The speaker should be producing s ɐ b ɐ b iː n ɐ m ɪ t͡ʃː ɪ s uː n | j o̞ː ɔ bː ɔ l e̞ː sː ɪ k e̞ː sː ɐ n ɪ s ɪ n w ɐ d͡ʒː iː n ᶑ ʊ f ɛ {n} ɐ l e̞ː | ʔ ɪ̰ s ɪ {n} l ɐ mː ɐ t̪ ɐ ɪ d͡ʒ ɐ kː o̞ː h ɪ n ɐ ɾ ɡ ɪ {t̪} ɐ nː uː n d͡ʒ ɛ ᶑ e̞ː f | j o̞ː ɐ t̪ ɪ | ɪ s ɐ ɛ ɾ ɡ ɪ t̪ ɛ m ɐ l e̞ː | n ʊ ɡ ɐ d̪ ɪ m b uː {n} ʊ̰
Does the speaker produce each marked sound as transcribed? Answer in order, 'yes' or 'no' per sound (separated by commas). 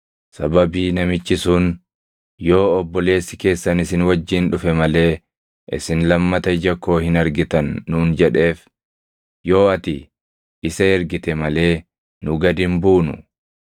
no, yes, yes, yes